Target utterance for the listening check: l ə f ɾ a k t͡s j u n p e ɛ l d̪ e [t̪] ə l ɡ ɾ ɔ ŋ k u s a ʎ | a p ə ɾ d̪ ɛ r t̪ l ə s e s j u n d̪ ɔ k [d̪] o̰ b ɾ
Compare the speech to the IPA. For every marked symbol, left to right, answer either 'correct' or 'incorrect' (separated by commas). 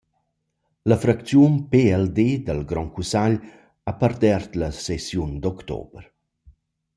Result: incorrect, incorrect